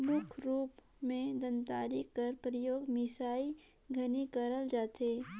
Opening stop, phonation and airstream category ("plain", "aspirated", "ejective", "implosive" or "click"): aspirated